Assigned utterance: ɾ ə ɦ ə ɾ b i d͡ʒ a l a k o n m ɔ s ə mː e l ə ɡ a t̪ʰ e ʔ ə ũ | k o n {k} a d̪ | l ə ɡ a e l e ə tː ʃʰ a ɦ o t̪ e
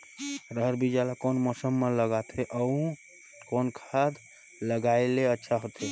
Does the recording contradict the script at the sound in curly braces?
yes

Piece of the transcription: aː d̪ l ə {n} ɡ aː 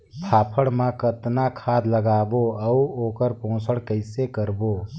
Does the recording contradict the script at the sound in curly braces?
yes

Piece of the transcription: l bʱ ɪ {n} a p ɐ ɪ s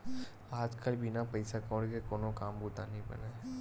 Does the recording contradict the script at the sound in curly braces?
no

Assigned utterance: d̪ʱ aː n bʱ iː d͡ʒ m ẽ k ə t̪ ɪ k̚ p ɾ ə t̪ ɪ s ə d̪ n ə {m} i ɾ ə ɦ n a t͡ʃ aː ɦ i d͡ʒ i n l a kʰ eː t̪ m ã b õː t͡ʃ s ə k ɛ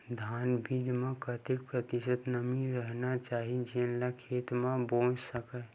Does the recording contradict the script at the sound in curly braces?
no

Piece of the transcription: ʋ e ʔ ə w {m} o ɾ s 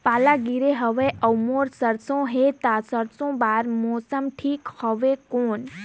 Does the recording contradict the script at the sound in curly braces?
no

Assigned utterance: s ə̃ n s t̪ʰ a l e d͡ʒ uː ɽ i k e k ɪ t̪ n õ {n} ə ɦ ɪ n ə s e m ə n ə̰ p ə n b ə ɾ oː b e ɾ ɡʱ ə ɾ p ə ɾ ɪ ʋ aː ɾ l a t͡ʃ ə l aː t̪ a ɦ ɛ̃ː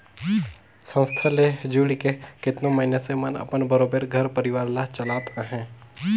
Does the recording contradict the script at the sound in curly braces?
yes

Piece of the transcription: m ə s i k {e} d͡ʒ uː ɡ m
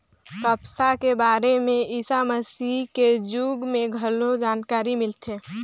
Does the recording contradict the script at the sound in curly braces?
no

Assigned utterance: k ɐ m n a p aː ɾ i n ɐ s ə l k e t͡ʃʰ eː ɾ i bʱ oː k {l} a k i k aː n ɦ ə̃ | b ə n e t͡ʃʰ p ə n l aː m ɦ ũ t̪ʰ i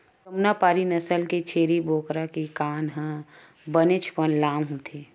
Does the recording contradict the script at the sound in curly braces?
yes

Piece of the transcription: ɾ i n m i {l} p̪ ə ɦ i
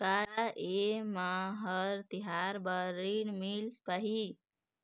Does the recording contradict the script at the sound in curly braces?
no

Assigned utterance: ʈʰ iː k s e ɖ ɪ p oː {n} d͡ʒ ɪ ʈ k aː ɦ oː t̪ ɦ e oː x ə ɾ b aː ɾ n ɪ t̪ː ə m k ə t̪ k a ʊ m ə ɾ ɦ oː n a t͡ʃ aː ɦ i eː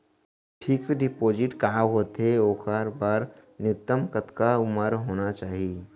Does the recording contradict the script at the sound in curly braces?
yes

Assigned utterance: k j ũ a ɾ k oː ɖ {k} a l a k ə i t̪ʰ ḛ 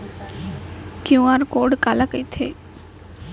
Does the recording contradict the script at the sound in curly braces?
no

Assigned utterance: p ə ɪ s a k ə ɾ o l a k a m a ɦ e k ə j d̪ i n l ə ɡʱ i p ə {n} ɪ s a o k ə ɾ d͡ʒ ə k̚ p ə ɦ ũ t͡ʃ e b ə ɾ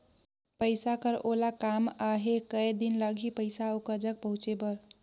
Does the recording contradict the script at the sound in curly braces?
yes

